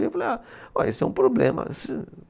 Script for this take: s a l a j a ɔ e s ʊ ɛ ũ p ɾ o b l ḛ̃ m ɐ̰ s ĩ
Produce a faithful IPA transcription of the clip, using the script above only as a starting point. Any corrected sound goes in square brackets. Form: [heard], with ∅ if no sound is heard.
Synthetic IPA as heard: [f] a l [e] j a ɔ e s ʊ ɛ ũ p ɾ o b l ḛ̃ m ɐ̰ s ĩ